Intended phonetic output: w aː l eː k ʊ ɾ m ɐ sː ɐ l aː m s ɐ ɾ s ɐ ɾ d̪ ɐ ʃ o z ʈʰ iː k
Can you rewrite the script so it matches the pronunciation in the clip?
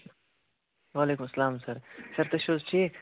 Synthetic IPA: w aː l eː k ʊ m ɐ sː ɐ l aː m s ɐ ɾ s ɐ ɾ t̪ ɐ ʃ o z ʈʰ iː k